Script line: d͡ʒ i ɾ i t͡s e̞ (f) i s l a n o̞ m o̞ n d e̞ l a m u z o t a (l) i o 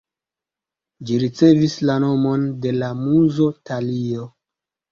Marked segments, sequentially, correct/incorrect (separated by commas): incorrect, correct